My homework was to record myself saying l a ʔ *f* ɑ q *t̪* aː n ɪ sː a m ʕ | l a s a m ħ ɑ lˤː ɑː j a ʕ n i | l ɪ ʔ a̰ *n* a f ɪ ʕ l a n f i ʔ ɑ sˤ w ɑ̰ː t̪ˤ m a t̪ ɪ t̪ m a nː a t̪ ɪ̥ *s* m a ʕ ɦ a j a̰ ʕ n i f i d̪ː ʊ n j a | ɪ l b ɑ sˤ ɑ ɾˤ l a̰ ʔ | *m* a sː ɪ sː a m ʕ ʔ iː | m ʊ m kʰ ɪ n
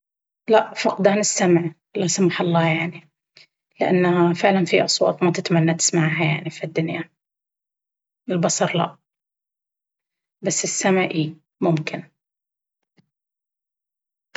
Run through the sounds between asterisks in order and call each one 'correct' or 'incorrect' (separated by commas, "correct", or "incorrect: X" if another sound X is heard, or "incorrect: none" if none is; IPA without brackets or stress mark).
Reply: correct, incorrect: d̪, incorrect: nː, correct, incorrect: b